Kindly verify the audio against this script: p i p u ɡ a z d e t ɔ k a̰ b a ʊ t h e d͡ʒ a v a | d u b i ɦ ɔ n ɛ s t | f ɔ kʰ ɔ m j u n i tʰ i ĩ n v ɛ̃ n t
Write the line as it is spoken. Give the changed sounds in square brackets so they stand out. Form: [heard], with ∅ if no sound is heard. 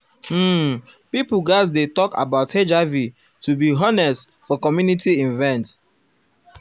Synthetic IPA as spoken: p i p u ɡ a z d e t ɔ k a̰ b a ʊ t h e d͡ʒ a v [i] | [t] u b i ɦ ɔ n ɛ s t | f ɔ [k] ɔ m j u n i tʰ i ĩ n v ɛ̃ n t